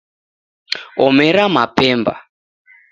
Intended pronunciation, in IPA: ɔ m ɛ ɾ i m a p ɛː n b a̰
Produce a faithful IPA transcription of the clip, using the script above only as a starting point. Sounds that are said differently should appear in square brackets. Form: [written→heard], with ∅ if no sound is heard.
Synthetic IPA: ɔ m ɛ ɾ [i→a] m a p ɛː [n→m] b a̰